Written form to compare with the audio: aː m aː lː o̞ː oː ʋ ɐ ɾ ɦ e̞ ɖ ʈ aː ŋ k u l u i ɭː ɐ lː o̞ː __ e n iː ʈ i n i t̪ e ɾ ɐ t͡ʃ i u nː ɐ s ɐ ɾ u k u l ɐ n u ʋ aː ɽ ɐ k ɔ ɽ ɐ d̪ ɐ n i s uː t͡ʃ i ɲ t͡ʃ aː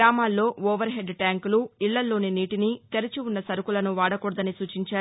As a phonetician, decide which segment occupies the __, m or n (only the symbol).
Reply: n